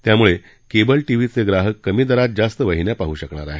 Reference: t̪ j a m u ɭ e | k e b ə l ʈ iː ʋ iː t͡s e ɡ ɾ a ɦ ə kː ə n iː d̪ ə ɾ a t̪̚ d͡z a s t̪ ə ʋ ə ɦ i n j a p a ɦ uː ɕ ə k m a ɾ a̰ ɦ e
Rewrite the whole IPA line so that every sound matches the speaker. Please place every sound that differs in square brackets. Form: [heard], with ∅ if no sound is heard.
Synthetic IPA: t̪ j a m u ɭ e | k e b ə l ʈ [i] ʋ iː t͡s e ɡ ɾ a ɦ ə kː ə [m] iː d̪ ə ɾ a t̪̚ d͡z a s t̪ ə ʋ ə ɦ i n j a p a ɦ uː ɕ ə k [ɳ] a ɾ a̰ ɦ e